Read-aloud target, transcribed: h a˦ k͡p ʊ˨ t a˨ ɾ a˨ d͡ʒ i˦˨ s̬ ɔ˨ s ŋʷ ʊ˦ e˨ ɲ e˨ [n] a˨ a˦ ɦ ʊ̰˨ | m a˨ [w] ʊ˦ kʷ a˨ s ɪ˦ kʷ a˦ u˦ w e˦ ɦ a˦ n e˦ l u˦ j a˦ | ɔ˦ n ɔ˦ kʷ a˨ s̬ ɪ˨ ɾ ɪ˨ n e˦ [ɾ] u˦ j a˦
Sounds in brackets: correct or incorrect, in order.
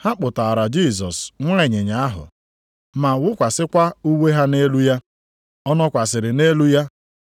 incorrect, correct, incorrect

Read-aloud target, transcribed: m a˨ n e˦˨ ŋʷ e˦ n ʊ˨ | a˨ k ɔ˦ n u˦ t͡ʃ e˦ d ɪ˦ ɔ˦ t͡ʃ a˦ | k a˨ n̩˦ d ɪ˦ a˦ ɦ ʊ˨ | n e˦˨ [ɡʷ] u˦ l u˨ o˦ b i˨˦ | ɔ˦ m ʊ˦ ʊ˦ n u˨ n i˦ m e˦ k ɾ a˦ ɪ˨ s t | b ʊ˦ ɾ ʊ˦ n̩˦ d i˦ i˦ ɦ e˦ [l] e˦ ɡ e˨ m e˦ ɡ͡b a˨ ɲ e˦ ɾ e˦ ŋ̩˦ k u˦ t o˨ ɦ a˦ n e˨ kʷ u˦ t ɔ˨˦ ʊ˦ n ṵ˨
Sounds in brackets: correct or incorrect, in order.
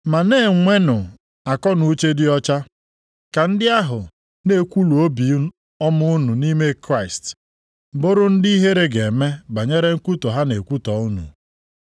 incorrect, incorrect

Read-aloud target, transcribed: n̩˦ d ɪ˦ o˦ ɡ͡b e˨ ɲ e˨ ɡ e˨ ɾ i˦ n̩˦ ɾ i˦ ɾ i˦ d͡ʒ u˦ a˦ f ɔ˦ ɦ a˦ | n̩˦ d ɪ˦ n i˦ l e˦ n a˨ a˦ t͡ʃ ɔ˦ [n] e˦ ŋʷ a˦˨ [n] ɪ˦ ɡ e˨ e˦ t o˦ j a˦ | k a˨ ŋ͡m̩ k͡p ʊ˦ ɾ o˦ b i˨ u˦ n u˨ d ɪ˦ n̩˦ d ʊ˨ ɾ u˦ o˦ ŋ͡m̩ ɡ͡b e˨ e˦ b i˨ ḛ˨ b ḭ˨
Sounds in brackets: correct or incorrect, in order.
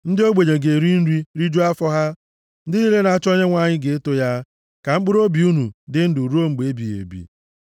incorrect, incorrect

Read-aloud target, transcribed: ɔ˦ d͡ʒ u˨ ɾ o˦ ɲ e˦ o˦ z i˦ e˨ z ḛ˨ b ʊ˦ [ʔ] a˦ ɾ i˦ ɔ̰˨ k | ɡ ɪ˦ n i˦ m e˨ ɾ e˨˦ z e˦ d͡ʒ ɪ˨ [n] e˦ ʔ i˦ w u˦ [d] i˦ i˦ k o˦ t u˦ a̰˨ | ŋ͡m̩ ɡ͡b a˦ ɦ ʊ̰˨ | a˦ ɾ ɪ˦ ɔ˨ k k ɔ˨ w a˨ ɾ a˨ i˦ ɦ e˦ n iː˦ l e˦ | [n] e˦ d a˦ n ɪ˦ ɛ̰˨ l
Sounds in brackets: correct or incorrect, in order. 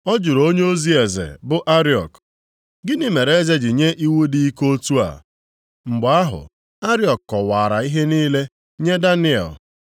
correct, incorrect, correct, incorrect

